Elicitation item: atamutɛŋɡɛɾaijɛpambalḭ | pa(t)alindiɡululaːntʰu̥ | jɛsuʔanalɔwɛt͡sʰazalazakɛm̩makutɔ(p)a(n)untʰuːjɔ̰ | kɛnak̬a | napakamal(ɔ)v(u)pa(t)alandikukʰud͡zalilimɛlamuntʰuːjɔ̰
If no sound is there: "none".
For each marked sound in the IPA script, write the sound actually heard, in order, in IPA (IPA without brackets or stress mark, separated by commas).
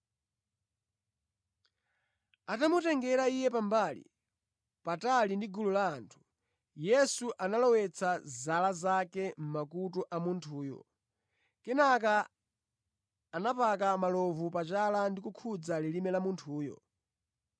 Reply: t, ʔ, m, ɔ, u, t͡ʃ